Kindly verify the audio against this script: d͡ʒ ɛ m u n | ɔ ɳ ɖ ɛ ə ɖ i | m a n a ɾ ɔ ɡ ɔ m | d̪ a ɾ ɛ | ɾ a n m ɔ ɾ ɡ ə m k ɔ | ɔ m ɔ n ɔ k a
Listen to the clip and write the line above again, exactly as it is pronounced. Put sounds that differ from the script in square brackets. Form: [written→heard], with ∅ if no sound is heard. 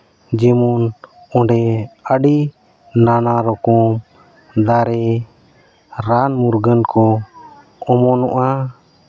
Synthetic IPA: d͡ʒ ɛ m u n | ɔ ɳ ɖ ɛ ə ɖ i | [m→n] a n a ɾ ɔ [ɡ→k] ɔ m | d̪ a ɾ ɛ | ɾ a n m [ɔ→u] ɾ ɡ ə [m→n] k ɔ | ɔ m ɔ n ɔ [k→ʔ] a